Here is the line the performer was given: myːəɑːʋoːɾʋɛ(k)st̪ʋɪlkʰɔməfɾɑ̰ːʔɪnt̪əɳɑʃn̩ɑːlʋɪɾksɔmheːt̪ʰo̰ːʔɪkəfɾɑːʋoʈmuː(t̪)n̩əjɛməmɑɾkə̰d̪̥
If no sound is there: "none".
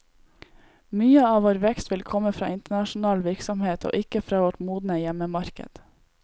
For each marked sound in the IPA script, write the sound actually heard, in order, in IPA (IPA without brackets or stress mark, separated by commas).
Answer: k, d̪